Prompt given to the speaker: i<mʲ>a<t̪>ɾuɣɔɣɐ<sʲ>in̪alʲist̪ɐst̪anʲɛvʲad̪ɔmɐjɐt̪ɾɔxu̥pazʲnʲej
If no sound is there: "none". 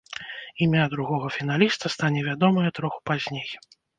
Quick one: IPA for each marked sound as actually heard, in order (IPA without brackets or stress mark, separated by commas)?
mʲ, d̪, fʲ